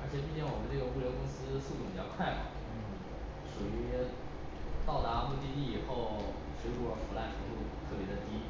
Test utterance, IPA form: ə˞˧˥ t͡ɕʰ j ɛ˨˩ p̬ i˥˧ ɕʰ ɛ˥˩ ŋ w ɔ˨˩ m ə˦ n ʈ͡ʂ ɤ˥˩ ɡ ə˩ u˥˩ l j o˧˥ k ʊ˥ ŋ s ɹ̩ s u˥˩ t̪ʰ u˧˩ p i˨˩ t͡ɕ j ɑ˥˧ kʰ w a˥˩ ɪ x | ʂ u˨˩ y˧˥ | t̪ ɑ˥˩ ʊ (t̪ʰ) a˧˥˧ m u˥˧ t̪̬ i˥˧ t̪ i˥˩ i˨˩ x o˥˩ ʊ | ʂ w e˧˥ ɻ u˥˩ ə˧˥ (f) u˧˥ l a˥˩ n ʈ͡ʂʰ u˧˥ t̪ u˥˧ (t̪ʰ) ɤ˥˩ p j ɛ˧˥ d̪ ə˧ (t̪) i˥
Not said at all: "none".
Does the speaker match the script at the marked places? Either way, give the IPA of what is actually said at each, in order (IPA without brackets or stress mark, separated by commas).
t̪, f, t̪ʰ, t̪